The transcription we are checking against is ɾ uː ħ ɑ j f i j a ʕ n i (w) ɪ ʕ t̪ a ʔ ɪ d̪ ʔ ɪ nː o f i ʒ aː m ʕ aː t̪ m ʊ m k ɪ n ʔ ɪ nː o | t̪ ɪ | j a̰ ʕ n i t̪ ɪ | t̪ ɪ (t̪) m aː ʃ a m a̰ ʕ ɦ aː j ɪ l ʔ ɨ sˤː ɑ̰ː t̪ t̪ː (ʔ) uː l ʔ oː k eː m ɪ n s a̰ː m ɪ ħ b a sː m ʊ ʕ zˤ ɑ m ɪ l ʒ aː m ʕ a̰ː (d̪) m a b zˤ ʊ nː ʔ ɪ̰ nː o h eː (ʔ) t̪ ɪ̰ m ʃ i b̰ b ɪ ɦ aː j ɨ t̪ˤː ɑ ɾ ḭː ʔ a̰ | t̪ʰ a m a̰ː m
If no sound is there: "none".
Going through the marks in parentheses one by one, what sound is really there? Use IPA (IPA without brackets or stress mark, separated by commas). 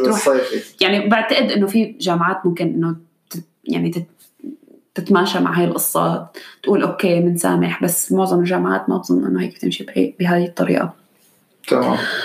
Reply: b, t̪, ʔ, t̪, k